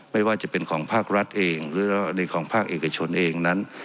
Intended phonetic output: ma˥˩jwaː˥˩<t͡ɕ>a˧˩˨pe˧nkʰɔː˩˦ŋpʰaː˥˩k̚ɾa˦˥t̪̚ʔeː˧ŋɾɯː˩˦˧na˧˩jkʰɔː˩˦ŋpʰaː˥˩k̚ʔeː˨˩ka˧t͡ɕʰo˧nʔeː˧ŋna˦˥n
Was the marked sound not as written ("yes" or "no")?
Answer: no